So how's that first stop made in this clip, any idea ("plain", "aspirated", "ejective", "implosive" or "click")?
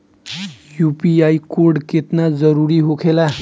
plain